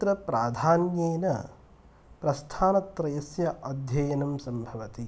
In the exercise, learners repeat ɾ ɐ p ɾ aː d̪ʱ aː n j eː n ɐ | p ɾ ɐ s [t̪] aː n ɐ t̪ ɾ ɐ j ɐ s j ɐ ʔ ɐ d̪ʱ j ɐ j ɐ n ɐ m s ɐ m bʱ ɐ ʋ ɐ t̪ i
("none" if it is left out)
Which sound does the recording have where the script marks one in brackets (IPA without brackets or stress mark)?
t̪ʰ